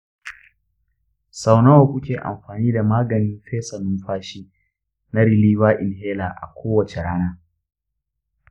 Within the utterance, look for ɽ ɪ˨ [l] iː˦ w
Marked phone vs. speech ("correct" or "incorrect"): correct